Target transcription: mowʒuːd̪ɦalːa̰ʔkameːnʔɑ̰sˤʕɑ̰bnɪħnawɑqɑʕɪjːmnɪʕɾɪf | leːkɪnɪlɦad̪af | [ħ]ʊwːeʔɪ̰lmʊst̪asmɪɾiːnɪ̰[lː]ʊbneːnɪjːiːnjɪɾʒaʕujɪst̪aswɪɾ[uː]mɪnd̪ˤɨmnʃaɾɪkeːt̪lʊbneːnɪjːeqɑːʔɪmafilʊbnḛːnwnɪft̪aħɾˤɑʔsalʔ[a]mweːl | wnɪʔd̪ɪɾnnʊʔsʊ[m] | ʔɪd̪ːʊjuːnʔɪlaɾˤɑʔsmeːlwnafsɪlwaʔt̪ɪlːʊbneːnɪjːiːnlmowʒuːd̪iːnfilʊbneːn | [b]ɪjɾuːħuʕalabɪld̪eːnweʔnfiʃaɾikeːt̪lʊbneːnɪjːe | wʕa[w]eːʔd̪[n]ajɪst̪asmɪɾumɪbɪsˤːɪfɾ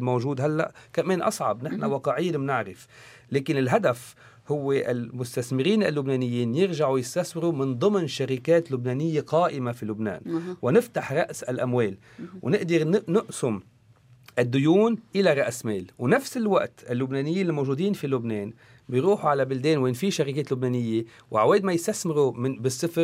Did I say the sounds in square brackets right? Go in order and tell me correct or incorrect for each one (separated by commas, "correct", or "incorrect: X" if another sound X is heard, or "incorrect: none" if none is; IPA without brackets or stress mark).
incorrect: h, correct, incorrect: u, correct, correct, correct, correct, incorrect: m